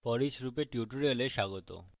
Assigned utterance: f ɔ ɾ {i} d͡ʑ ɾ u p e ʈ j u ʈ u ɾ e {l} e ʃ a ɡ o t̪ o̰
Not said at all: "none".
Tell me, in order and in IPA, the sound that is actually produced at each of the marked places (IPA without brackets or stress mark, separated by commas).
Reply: i, l